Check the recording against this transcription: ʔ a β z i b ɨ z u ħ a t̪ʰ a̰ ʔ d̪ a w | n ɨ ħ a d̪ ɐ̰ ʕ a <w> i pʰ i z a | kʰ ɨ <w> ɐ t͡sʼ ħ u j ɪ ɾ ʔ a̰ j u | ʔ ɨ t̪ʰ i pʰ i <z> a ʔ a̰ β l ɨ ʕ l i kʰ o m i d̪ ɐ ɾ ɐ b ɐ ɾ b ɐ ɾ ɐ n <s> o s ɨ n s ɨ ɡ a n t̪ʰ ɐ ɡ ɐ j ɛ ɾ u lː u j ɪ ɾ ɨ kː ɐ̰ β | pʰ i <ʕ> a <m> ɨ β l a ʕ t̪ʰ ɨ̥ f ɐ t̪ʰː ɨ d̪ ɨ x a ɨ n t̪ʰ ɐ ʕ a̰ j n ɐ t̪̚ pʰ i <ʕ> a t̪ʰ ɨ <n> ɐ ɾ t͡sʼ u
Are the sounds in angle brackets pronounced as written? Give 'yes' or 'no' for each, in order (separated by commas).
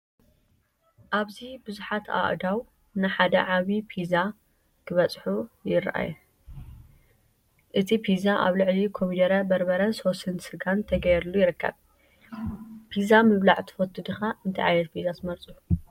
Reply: no, no, yes, yes, no, yes, no, no